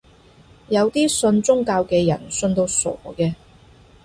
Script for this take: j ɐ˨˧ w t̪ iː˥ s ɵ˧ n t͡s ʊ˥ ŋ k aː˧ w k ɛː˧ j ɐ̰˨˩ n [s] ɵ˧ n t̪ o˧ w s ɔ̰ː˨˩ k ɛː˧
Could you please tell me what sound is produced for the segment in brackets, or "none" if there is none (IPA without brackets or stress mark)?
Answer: s